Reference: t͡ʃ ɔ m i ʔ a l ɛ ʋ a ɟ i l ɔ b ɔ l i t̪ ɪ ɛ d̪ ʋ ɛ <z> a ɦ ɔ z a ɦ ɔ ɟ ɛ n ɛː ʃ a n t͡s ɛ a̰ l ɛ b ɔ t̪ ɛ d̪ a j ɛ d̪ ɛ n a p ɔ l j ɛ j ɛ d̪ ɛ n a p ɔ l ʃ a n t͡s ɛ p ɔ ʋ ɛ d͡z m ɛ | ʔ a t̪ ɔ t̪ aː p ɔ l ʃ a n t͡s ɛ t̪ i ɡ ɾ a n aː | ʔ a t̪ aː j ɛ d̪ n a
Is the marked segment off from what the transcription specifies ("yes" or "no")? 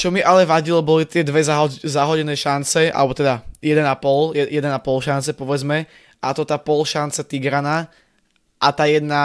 no